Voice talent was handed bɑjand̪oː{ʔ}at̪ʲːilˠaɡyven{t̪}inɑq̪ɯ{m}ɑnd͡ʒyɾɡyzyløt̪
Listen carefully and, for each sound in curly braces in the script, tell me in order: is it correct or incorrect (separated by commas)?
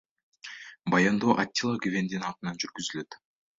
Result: correct, incorrect, incorrect